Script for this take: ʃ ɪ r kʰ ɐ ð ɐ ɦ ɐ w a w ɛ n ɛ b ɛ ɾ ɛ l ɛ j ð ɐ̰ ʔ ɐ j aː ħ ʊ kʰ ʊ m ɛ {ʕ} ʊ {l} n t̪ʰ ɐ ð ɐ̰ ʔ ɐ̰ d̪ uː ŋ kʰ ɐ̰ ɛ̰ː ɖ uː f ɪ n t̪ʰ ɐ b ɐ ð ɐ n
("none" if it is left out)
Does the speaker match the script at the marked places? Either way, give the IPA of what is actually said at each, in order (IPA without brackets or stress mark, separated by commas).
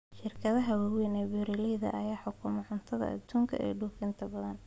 ʕ, none